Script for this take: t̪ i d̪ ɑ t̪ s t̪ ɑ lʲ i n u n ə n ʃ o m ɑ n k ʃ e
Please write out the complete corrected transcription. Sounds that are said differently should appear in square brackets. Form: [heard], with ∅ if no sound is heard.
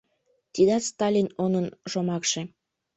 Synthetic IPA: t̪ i d̪ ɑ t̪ s t̪ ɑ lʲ i n [o] n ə n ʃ o m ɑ [∅] k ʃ e